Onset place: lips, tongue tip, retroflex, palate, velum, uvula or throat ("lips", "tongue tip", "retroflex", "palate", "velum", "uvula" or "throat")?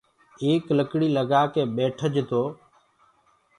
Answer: velum